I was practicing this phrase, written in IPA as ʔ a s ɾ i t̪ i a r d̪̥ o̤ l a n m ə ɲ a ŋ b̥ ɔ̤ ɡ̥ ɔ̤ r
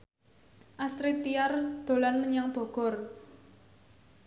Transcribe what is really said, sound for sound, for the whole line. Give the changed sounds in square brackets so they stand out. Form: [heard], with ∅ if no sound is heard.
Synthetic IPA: ʔ a s ɾ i t̪ i a r d̪̥ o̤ l a n m ə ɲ a ŋ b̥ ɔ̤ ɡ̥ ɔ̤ r

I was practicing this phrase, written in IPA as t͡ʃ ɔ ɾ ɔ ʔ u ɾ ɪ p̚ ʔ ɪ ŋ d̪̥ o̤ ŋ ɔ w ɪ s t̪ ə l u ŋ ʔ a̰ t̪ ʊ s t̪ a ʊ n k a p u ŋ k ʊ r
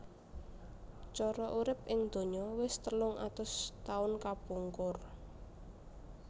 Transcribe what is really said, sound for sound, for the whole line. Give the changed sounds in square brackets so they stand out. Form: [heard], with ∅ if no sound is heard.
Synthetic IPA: t͡ʃ ɔ ɾ ɔ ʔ u ɾ ɪ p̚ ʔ ɪ ŋ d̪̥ o̤ [ɲ] ɔ w ɪ s t̪ ə l [ʊ] ŋ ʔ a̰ t̪ ʊ s t̪ a ʊ n k a p u ŋ k ʊ r

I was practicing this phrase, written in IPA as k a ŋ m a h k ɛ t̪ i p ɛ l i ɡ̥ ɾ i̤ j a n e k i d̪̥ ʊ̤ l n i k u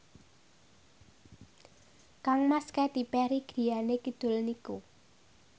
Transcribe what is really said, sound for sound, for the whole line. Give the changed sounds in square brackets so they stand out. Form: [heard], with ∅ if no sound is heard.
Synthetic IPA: k a ŋ m a [s] k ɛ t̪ i p ɛ [ɾ] i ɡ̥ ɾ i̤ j a n e k i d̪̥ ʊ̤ l n i k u

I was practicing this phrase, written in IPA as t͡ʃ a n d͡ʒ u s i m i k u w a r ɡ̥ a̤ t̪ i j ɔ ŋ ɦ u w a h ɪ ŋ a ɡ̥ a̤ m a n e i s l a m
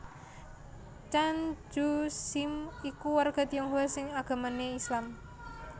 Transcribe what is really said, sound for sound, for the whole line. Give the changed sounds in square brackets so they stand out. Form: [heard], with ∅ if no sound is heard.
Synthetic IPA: t͡ʃ a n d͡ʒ u s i m i k u w a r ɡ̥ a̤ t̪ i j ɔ ŋ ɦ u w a [s] ɪ ŋ a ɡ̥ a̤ m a n e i s l a m

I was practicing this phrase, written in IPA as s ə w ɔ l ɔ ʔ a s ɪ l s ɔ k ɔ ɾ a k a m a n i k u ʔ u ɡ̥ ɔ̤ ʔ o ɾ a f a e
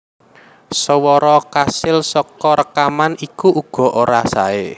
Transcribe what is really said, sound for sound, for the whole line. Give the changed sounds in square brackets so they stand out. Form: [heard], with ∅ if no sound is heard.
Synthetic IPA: s ə w ɔ [ɾ] ɔ [k] a s ɪ l s ɔ k ɔ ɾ [ə] k a m a n i k u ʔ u ɡ̥ ɔ̤ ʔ o ɾ a [s] a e

